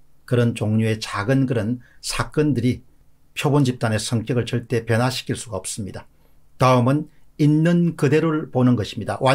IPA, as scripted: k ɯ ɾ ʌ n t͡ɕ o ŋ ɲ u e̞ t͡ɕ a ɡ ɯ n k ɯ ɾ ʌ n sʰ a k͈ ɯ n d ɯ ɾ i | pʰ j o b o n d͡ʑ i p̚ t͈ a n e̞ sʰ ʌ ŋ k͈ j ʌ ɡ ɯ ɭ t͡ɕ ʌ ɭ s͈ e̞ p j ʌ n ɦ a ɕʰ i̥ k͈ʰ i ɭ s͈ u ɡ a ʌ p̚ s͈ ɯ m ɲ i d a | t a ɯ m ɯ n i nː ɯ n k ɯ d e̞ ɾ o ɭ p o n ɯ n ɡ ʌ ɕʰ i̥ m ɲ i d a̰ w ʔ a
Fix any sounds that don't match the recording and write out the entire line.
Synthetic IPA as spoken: k ɯ ɾ ʌ n t͡ɕ o ŋ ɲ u e̞ t͡ɕ a ɡ ɯ n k ɯ ɾ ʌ n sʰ a k͈ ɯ n d ɯ ɾ i | pʰ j o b o n d͡ʑ i p̚ t͈ a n e̞ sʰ ʌ ŋ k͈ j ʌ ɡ ɯ ɭ t͡ɕ ʌ ɭ t͈ e̞ p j ʌ n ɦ a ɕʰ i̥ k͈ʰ i ɭ s͈ u ɡ a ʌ p̚ s͈ ɯ m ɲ i d a | t a ɯ m ɯ n i nː ɯ n k ɯ d e̞ ɾ o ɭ p o n ɯ n ɡ ʌ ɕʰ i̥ m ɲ i d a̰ w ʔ a